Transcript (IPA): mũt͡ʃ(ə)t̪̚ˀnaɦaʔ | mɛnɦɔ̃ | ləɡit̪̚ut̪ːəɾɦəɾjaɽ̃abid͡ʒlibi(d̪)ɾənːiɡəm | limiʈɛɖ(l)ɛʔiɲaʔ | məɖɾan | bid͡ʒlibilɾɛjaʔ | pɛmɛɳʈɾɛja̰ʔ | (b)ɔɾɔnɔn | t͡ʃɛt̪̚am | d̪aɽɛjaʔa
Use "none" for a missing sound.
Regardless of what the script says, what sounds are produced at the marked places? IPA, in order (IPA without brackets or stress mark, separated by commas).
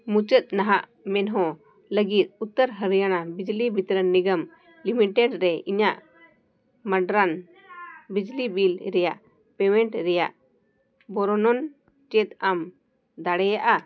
ə, t̪, ɾ, b